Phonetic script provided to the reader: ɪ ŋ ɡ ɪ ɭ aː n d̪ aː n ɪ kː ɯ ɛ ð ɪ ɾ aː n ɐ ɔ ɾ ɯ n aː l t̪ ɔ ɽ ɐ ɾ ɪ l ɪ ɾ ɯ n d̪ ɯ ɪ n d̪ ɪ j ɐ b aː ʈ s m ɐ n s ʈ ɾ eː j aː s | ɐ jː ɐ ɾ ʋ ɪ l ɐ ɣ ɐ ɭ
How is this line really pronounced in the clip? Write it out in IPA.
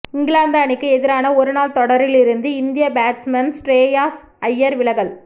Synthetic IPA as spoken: ɪ ŋ ɡ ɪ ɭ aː n d̪ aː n ɪ kː ɯ ɛ ð ɪ ɾ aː n ɐ ɔ ɾ ɯ n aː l t̪ ɔ ɽ ɐ ɾ ɪ l ɪ ɾ ɯ n d̪ ɯ ɪ n d̪ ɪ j ɐ b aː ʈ s m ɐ n s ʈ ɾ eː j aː s | ɐ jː ɐ ɾ ʋ ɪ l ɐ ɣ ɐ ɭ